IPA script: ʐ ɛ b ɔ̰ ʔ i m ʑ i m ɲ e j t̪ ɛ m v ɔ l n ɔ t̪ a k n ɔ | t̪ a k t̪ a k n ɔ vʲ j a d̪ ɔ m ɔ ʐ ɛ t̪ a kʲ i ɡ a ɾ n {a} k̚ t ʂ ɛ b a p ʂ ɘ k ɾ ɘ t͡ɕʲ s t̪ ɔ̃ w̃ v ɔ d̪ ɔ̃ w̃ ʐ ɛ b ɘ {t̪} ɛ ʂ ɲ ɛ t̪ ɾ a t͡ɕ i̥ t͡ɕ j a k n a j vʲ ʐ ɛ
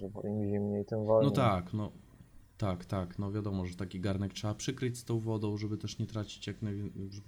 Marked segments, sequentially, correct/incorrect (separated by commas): incorrect, correct